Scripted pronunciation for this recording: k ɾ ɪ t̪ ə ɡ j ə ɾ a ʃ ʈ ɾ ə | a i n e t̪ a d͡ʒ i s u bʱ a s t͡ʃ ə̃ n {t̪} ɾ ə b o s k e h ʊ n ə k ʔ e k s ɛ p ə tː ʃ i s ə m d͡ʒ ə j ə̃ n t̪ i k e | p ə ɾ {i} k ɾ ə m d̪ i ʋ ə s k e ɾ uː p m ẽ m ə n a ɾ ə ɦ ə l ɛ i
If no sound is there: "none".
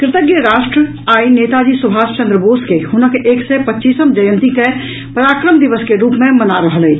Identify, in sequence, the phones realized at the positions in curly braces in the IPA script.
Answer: d̪, a

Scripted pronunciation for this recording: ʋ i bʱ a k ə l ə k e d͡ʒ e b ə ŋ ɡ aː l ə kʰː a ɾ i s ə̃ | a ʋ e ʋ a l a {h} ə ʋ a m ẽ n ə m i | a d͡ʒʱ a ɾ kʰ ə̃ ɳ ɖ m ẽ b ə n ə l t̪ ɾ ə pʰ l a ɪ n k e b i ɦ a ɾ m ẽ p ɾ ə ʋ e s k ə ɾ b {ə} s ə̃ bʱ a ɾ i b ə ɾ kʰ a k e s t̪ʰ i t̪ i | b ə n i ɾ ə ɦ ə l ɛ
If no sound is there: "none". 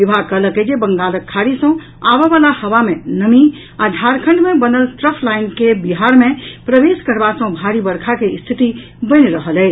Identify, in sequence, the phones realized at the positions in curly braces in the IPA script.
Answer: h, a

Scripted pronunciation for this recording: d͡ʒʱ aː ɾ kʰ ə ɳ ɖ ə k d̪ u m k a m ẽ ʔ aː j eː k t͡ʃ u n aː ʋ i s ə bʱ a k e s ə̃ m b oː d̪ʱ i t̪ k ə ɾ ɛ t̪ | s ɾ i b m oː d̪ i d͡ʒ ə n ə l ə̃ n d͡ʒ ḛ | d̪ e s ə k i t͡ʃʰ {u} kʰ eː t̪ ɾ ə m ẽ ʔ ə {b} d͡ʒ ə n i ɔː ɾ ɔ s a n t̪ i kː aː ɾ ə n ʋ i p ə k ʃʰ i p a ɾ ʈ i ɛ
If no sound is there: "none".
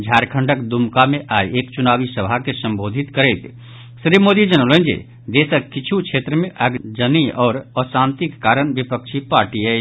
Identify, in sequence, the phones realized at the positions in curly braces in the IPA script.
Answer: u, ɡ

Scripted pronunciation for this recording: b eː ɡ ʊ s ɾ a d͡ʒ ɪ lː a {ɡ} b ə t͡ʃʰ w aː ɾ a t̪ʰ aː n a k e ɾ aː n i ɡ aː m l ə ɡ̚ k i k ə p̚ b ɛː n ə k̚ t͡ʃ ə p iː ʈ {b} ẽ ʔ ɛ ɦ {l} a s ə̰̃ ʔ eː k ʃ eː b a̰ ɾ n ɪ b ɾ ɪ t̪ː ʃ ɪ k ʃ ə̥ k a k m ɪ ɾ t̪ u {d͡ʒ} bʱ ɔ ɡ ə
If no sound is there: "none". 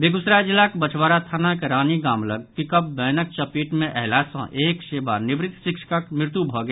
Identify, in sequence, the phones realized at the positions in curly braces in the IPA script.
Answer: k, m, l, none

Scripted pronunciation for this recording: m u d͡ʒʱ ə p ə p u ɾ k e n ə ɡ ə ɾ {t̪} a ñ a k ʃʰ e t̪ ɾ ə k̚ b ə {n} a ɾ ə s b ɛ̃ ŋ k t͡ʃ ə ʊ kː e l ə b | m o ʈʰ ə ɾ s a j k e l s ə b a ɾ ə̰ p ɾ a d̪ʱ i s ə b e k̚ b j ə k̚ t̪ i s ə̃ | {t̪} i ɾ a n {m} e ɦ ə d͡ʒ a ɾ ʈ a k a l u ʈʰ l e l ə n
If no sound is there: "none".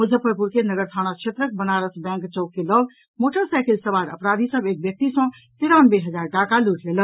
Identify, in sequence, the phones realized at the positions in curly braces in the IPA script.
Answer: t̪ʰ, n, t̪, b

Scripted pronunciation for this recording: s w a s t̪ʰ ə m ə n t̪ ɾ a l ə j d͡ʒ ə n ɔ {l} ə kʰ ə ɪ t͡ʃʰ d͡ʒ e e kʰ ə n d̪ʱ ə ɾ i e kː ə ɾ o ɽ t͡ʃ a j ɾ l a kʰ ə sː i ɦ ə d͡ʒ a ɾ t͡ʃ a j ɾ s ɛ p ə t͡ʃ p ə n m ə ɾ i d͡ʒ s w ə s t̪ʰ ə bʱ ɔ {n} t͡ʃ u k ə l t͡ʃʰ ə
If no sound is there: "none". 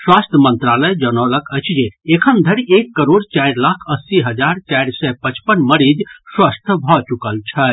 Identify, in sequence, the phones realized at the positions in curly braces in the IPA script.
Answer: l, none

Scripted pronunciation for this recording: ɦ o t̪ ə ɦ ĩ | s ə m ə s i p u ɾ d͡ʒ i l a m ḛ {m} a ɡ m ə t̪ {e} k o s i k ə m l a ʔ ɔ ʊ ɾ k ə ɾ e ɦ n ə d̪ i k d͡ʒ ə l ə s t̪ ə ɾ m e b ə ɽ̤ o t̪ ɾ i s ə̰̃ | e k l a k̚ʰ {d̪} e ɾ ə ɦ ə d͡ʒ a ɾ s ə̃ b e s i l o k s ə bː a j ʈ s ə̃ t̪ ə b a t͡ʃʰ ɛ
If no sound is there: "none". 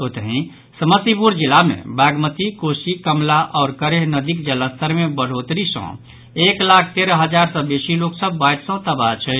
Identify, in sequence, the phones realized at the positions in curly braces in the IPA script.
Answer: b, i, t̪

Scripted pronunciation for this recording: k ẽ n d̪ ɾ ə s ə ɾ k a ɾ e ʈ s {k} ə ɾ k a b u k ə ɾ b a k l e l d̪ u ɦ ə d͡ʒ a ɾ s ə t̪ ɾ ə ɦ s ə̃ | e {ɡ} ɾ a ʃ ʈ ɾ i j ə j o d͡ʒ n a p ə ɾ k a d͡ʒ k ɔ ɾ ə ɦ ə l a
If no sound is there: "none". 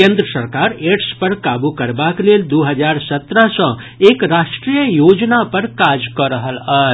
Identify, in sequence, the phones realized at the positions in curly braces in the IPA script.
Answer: p, k

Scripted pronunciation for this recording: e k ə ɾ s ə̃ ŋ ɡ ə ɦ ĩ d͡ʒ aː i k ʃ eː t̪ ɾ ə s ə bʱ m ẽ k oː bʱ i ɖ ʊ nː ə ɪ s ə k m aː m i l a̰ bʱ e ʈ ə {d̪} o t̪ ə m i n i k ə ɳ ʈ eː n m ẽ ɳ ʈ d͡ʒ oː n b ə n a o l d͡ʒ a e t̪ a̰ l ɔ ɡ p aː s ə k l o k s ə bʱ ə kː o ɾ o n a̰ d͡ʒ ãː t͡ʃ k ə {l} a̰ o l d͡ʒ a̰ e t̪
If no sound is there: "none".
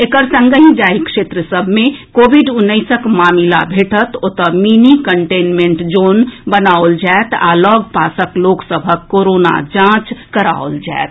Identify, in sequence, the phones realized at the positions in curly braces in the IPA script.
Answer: t̪, ɾ

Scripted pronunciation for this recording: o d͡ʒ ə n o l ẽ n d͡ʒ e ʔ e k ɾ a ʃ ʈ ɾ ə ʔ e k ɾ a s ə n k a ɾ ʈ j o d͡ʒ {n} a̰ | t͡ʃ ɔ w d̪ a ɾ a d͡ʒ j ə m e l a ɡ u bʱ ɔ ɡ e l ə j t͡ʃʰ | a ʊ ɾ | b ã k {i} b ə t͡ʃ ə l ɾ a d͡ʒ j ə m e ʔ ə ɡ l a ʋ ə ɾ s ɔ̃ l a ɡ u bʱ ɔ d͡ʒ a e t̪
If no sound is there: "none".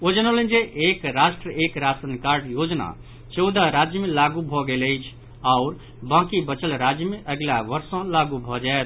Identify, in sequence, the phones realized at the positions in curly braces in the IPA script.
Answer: n, i

